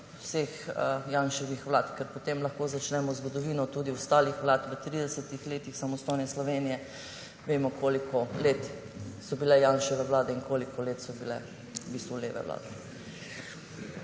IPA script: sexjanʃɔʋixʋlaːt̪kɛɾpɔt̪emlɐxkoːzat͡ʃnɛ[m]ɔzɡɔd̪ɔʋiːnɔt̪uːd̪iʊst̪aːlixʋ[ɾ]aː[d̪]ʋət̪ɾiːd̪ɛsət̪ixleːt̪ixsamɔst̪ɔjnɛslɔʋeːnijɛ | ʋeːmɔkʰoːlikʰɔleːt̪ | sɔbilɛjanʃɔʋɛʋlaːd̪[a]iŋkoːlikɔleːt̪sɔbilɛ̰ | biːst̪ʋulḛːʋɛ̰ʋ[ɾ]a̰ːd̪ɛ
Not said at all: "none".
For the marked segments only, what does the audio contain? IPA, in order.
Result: m, l, t̪, ɛ, l

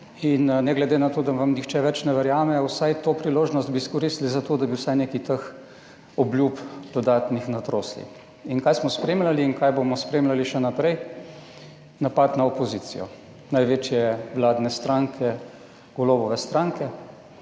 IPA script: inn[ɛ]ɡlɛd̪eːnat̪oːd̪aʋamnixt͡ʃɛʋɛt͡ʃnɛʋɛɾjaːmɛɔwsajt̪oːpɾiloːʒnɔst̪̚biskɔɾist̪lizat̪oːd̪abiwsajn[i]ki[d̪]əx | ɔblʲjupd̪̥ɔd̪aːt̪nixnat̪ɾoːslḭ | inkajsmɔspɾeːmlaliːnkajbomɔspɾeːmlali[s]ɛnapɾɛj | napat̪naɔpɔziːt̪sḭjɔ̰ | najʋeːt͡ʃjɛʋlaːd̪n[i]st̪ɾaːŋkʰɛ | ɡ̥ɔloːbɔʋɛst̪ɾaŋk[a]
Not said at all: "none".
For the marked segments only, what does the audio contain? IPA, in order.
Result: ɛ, e, t̪, ʃ, ɛ, ɛ

